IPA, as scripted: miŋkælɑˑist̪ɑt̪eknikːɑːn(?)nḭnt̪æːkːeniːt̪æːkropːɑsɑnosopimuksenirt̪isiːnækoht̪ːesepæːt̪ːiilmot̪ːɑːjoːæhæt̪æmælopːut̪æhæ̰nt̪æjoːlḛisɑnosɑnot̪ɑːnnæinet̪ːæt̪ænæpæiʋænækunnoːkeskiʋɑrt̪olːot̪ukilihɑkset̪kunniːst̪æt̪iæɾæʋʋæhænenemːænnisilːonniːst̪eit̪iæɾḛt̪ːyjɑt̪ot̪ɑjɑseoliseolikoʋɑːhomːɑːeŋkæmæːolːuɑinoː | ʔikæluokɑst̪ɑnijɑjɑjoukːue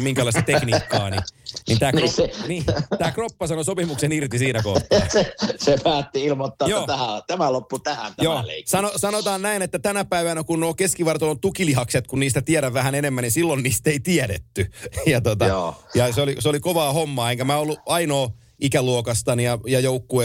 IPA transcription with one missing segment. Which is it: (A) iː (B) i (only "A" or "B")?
B